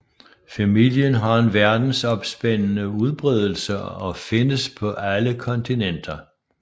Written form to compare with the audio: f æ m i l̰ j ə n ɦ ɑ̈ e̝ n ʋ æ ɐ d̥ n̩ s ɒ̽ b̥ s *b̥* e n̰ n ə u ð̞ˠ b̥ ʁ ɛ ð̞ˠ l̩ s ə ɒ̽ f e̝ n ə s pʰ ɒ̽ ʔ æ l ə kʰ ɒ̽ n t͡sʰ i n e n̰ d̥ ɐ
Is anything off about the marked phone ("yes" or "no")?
no